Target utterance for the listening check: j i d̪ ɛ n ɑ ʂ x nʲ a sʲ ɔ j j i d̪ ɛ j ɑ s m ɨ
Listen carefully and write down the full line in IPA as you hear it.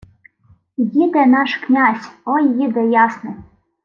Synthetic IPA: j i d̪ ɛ n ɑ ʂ k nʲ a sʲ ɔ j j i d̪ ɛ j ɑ s n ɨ